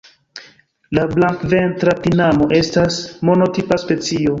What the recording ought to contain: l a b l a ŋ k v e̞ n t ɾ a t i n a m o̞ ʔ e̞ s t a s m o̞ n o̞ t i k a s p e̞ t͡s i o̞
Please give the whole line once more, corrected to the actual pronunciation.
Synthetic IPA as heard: l a b l a ŋ k v e̞ n t ɾ a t i n a m o̞ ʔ e̞ s t a s m o̞ n o̞ t i p a s p e̞ t͡s i o̞